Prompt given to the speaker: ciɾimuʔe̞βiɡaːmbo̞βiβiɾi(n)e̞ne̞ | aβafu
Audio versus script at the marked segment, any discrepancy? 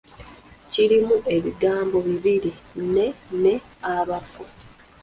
no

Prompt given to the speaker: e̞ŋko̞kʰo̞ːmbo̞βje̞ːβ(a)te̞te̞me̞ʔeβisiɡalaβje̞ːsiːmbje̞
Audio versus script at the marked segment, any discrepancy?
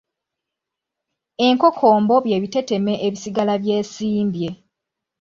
yes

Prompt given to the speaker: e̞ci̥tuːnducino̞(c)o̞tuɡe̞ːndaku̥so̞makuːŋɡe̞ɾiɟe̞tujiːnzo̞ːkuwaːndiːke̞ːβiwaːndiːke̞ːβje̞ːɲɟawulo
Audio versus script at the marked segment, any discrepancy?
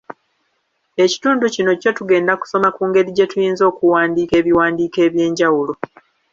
no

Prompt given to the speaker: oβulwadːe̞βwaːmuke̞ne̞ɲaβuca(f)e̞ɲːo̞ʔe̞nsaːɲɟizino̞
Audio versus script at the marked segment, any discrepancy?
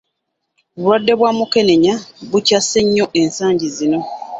yes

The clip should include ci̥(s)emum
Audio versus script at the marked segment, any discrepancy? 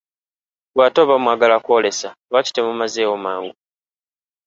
yes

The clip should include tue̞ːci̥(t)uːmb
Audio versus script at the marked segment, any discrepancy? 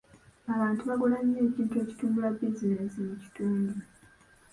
no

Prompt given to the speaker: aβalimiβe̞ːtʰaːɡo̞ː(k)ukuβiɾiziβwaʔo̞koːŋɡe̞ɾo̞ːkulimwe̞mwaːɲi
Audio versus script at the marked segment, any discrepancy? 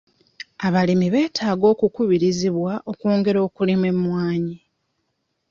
no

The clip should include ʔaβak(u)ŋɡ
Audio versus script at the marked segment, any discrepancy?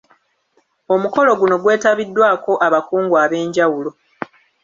yes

